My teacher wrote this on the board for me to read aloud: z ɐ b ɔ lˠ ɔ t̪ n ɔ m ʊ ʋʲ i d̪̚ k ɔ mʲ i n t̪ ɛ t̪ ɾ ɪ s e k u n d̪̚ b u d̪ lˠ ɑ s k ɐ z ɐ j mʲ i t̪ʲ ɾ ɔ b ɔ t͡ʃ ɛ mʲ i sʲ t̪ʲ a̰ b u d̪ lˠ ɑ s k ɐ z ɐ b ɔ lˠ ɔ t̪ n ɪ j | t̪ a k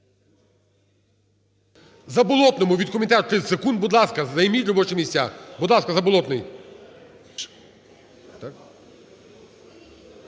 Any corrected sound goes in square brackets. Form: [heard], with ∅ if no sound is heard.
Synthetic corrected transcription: z ɐ b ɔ lˠ ɔ t̪ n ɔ m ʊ ʋʲ i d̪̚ k ɔ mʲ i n t̪ ɛ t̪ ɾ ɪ s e k u n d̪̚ b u d̪ lˠ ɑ s k ɐ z ɐ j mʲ i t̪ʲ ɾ ɔ b ɔ t͡ʃ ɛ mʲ i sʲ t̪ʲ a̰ b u d̪ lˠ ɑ s k ɐ z ɐ b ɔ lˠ ɔ t̪ n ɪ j | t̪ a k

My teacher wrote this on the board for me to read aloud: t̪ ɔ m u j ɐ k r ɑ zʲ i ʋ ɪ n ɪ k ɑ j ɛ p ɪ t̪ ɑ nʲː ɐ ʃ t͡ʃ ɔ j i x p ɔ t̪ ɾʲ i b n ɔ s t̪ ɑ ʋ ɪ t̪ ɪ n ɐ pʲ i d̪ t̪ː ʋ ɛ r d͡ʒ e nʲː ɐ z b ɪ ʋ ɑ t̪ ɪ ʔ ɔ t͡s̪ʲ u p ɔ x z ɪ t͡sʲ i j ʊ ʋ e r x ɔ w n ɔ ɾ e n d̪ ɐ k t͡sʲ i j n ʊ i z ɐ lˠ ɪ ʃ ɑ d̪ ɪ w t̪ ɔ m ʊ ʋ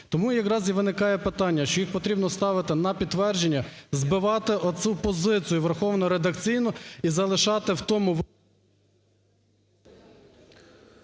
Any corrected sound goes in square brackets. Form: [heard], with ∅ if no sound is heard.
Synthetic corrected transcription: t̪ ɔ m u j ɐ k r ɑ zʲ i ʋ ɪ n ɪ k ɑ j ɛ p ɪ t̪ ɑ nʲː ɐ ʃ t͡ʃ ɔ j i x p ɔ t̪ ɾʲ i b n ɔ s t̪ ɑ ʋ ɪ t̪ ɪ n ɐ pʲ i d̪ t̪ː ʋ ɛ r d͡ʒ e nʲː ɐ z b ɪ ʋ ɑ t̪ ɪ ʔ ɔ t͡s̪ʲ u p ɔ [∅] z ɪ t͡sʲ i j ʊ ʋ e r x ɔ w n ɔ ɾ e [∅] d̪ ɐ k t͡sʲ i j n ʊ i z ɐ lˠ ɪ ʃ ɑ [t̪] ɪ w t̪ ɔ m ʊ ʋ

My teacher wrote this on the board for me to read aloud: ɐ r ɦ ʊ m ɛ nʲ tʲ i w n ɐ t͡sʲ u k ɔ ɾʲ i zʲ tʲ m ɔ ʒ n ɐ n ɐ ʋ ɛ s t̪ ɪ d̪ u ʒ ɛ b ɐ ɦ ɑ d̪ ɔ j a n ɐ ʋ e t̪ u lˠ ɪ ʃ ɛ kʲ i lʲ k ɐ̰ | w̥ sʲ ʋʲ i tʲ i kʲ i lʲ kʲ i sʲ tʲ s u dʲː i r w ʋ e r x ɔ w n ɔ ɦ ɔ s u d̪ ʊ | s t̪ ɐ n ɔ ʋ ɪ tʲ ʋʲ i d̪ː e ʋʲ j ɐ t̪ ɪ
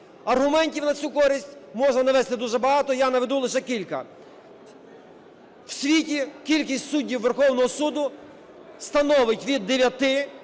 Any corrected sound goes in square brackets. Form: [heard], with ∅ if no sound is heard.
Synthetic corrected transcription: ɐ r ɦ ʊ m ɛ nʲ tʲ i w n ɐ t͡sʲ u k ɔ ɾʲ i [sʲ] tʲ m ɔ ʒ n ɐ n ɐ ʋ ɛ s t̪ ɪ d̪ u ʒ ɛ b ɐ ɦ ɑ [t̪] ɔ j a n ɐ ʋ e [d̪] u lˠ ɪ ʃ ɛ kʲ i lʲ k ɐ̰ | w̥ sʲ ʋʲ i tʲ i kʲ i lʲ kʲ i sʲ tʲ s u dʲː i [∅] w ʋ e r x ɔ w n ɔ ɦ ɔ s u d̪ ʊ | s t̪ ɐ n ɔ ʋ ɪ tʲ ʋʲ i d̪ː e ʋʲ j ɐ t̪ ɪ

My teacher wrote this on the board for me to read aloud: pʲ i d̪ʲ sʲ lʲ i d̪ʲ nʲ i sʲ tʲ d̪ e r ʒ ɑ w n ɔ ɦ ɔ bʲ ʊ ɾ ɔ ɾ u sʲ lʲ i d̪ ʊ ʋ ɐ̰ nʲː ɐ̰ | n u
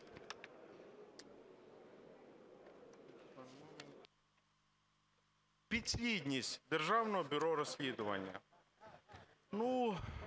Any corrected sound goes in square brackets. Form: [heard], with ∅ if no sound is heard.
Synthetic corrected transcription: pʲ i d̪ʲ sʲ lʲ i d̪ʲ nʲ i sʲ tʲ d̪ e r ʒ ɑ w n ɔ ɦ ɔ bʲ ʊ ɾ ɔ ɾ [ɔ] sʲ lʲ i d̪ ʊ ʋ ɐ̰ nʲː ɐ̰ | n u

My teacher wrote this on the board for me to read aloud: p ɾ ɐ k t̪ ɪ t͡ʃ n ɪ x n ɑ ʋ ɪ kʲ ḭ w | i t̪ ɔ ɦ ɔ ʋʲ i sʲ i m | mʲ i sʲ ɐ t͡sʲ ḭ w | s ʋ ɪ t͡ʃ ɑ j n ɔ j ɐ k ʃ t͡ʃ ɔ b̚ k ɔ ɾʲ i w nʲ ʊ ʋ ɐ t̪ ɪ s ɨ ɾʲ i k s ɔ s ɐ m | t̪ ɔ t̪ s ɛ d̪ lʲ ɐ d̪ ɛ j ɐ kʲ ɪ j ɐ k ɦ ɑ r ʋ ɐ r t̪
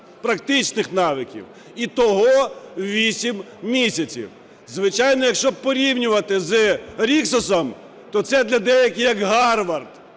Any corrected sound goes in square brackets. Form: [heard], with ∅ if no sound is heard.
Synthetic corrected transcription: p ɾ ɐ k t̪ ɪ t͡ʃ n ɪ x n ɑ ʋ ɪ kʲ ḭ w | i t̪ ɔ ɦ ɔ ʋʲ i sʲ i m | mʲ i sʲ ɐ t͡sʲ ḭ w | [z] ʋ ɪ t͡ʃ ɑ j n ɔ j ɐ k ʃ t͡ʃ ɔ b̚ [p] ɔ ɾʲ i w nʲ ʊ ʋ ɐ t̪ ɪ [z] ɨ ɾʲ i k s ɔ s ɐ m | t̪ ɔ t̪ s ɛ d̪ lʲ ɐ d̪ ɛ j ɐ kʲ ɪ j ɐ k ɦ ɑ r ʋ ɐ r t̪

